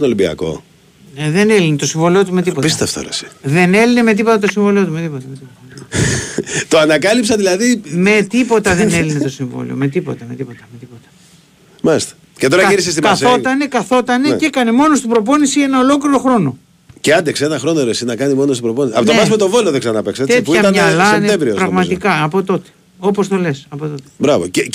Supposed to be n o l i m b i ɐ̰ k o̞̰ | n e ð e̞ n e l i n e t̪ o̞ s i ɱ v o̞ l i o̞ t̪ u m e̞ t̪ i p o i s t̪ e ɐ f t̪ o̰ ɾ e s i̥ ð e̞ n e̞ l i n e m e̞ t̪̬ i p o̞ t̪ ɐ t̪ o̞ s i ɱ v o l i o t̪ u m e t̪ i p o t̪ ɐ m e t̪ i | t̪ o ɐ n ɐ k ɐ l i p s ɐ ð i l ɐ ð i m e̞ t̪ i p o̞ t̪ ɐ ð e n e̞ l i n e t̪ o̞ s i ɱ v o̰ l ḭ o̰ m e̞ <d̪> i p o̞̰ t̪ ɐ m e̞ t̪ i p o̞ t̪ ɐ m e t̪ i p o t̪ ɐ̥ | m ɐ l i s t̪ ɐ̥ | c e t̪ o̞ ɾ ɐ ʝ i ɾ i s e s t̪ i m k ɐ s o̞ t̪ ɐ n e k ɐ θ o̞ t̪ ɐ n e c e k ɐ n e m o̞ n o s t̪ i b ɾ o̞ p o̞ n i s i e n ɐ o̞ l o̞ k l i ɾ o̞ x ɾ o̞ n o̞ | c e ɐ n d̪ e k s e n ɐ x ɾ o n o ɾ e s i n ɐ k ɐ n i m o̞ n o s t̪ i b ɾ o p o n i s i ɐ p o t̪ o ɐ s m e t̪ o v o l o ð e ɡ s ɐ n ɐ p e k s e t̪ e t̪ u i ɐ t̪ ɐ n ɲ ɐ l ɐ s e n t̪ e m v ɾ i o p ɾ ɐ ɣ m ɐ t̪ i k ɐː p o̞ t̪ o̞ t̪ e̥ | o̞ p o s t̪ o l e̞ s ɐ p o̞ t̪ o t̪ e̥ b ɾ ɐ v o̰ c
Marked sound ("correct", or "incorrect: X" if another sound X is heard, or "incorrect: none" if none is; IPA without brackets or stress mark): incorrect: t̪